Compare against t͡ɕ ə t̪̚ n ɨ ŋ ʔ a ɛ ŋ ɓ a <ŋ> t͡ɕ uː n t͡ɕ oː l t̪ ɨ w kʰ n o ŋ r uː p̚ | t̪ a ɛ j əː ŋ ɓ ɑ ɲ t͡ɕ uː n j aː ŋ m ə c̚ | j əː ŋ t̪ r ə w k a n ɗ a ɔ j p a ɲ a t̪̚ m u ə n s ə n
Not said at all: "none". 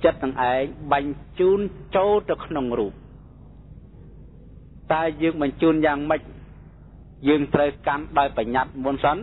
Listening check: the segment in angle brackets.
ɲ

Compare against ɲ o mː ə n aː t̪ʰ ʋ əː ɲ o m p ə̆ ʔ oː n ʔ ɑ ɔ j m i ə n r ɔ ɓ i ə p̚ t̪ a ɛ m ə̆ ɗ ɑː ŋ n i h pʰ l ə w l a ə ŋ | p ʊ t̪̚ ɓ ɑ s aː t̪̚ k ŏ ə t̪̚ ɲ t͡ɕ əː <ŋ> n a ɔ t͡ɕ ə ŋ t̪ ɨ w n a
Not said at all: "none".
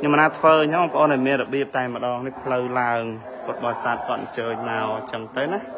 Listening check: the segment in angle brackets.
ɲ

